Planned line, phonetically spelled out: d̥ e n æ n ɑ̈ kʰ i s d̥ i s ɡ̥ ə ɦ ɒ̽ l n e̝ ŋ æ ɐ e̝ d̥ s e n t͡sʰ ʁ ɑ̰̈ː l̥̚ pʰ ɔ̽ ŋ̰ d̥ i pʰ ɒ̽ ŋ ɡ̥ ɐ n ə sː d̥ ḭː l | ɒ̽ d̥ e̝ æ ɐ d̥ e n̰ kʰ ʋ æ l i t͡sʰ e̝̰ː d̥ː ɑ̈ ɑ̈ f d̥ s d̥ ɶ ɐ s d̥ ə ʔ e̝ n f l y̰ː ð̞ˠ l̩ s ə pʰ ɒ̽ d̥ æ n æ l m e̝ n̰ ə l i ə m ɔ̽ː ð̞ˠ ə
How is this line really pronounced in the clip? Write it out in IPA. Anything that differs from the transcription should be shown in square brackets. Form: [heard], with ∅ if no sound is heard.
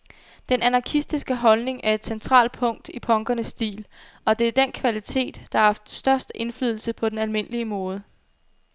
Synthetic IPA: d̥ e n æ n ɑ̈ kʰ i s d̥ i s ɡ̥ ə ɦ ɒ̽ l n e̝ ŋ æ ɐ e̝ d̥ s e n t͡sʰ ʁ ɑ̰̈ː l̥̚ pʰ ɔ̽ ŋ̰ d̥ i pʰ ɒ̽ ŋ ɡ̥ ɐ n ə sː d̥ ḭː l | ɒ̽ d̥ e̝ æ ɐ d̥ e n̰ kʰ ʋ æ l i t͡sʰ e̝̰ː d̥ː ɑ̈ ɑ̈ f d̥ s d̥ ɶ ɐ s d̥ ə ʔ e̝ n f l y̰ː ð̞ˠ l̩ s ə pʰ ɒ̽ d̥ [e] n æ l m e̝ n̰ ə l i ə m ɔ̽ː ð̞ˠ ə

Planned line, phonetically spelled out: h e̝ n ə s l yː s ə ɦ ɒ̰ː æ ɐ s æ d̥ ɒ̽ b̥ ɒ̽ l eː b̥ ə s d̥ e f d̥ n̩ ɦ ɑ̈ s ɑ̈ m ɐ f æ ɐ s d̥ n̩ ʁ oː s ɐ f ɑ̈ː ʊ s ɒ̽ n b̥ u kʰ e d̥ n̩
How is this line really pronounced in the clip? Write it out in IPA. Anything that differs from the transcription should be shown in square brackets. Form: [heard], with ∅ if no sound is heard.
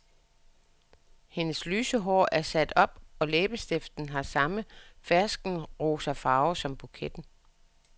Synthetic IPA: h e̝ n ə s l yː s ə ɦ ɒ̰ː æ ɐ s æ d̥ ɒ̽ b̥ ɒ̽ l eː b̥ ə s d̥ e f d̥ n̩ ɦ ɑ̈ s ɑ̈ m [ə] f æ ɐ s [ɡ̥] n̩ ʁ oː s ɐ f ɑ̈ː ʊ s ɒ̽ [m] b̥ u kʰ e d̥ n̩

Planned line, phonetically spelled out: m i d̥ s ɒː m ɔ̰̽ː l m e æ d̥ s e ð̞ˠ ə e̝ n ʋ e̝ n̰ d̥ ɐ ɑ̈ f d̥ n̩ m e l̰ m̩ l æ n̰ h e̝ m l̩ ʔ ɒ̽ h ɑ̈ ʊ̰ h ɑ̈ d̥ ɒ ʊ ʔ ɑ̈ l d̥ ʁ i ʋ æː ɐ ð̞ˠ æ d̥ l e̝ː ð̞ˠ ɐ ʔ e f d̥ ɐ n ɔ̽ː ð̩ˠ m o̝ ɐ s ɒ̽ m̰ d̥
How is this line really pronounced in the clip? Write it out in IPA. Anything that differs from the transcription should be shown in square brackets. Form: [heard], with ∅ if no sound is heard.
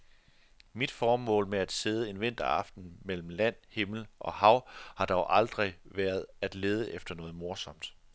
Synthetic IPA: m i d̥ [f] ɒː m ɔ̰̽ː l m e æ d̥ s e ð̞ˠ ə e̝ n ʋ e̝ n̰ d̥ ɐ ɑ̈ f d̥ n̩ m e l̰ m̩ l æ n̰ h e̝ m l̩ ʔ ɒ̽ h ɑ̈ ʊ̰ h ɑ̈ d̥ ɒ ʊ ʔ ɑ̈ l d̥ ʁ i ʋ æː ɐ ð̞ˠ æ d̥ l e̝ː ð̞ˠ [ə] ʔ e f d̥ ɐ n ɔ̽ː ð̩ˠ m o̝ ɐ s ɒ̽ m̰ d̥

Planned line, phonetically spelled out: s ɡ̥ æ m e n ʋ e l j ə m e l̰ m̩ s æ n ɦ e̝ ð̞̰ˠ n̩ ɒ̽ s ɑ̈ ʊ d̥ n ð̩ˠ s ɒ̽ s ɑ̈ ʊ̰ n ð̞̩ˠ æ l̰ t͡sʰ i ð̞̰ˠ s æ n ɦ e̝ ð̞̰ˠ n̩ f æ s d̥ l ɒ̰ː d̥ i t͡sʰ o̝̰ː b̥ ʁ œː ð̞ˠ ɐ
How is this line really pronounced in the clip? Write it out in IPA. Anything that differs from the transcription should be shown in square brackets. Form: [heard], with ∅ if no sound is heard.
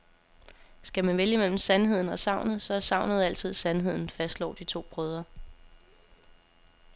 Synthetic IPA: s ɡ̥ æ m [æ] n ʋ e l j ə m e l̰ m̩ s æ n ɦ e̝ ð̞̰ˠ n̩ ɒ̽ s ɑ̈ ʊ [∅] n ð̩ˠ s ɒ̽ s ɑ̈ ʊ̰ n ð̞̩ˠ æ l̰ t͡sʰ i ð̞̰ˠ s æ n ɦ e̝ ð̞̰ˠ n̩ f æ s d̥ l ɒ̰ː d̥ i t͡sʰ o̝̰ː b̥ ʁ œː ð̞ˠ ɐ

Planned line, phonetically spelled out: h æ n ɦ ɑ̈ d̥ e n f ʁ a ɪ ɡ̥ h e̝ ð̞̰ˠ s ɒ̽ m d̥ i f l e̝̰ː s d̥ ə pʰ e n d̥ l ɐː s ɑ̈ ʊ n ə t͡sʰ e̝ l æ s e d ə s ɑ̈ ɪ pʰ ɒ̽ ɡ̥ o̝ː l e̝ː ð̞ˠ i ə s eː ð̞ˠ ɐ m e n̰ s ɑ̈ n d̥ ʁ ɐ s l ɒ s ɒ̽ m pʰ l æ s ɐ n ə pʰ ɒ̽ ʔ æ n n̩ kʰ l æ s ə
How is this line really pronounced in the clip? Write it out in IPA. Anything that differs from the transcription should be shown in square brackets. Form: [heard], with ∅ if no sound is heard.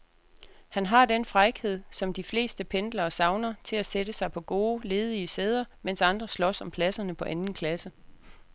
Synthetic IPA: h æ n ɦ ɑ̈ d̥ e n f ʁ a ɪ ɡ̥ h e̝ ð̞̰ˠ s ɒ̽ m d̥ i f l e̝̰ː s d̥ ə pʰ e n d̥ l ɐː s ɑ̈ ʊ n [ɐ] t͡sʰ e̝ l æ s e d ə s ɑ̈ ɪ pʰ ɒ̽ ɡ̥ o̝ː l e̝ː ð̞ˠ i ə s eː ð̞ˠ ɐ m e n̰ s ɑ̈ n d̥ ʁ ɐ s l ɒ s ɒ̽ m pʰ l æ s ɐ n ə pʰ ɒ̽ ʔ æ n n̩ kʰ l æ s ə

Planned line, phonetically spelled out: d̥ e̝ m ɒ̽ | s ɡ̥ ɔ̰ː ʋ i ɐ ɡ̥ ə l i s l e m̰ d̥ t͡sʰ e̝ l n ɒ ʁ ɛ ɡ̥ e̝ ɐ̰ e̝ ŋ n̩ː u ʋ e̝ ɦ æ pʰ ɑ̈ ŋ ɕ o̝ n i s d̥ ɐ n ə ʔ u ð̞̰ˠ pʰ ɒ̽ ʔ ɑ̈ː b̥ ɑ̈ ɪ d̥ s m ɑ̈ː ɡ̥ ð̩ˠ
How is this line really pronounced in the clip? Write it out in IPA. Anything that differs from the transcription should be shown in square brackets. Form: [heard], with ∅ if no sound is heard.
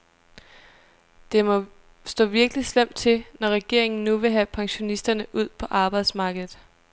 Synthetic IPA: d̥ e̝ m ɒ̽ | s [d̥] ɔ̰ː ʋ i ɐ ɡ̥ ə l i s l e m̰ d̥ t͡sʰ e̝ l n ɒ ʁ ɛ ɡ̥ e̝ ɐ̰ e̝ ŋ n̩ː u ʋ e̝ ɦ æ pʰ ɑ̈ ŋ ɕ o̝ n i s d̥ ɐ n ə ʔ u ð̞̰ˠ pʰ ɒ̽ ʔ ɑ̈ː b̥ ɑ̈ ɪ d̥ s m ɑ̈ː ɡ̥ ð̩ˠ

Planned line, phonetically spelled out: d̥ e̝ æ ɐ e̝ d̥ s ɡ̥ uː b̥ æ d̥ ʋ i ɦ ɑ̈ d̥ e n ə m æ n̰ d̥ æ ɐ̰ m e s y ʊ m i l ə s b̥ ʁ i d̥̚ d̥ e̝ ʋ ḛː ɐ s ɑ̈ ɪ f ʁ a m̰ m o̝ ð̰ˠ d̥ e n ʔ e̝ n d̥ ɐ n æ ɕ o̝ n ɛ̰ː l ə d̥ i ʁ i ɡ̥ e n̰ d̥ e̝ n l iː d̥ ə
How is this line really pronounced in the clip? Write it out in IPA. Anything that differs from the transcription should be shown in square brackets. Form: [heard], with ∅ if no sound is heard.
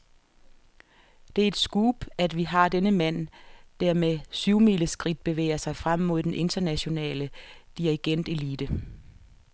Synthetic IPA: d̥ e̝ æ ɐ e̝ d̥ s ɡ̥ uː b̥ æ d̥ ʋ i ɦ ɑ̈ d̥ e n ə m æ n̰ d̥ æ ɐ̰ m e s y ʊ m i l ə s [ɡ̥] ʁ i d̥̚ [b̥] e̝ ʋ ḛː ɐ s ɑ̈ ɪ f ʁ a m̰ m o̝ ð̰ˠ d̥ e n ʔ e̝ n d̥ ɐ n æ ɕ o̝ n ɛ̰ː l ə d̥ i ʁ i ɡ̥ e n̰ d̥ e̝ [∅] l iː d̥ ə

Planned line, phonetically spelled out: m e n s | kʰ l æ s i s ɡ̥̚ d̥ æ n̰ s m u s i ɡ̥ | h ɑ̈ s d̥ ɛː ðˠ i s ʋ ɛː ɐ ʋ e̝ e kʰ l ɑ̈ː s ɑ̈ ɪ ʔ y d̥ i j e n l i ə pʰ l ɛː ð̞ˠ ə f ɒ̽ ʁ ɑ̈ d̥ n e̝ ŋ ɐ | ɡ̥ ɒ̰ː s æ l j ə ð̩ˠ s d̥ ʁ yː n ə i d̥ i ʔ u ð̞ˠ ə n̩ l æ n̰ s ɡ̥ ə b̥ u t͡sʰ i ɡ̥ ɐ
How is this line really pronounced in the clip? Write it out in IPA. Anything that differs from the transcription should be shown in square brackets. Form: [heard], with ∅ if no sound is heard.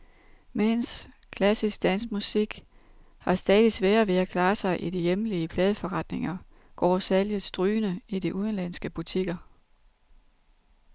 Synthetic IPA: m e n s | kʰ l æ s i s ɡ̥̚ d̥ æ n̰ s m u s i ɡ̥ | h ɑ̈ s d̥ ɛː ðˠ i s ʋ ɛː ɐ ʋ e̝ [æ] kʰ l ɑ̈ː s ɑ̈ ɪ ʔ [i] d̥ i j e [m] l i ə pʰ l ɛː ð̞ˠ ə f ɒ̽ ʁ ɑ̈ d̥ n e̝ ŋ ɐ | ɡ̥ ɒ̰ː s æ l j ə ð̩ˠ s d̥ ʁ yː n ə i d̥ i ʔ u ð̞ˠ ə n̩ l æ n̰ s ɡ̥ ə b̥ u t͡sʰ i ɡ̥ ɐ

